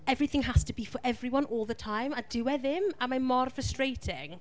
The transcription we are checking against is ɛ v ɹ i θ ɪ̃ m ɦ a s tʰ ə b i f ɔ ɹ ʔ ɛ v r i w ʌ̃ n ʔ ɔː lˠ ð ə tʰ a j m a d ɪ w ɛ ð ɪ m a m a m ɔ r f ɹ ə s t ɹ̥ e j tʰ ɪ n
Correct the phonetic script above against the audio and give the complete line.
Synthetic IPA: ɛ v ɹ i θ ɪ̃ ŋ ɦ a s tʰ ə b i f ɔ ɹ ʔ ɛ v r i w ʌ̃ n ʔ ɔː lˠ ð ə tʰ a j m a d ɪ w ɛ ð ɪ m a m a m ɔ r f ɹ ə s t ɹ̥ e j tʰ ɪ ŋ